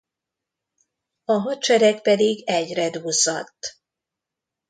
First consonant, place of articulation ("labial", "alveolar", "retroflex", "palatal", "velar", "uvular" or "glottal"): glottal